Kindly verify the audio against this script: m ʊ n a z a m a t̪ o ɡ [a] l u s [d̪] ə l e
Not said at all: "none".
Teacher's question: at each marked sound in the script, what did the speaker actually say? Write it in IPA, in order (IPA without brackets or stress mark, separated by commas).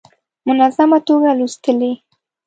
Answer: a, t̪